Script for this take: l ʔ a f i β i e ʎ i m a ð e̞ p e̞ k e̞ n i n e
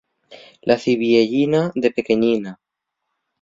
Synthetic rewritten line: l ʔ a θ i β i e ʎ i n a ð e̞ p e̞ k e̞ ɲ i n a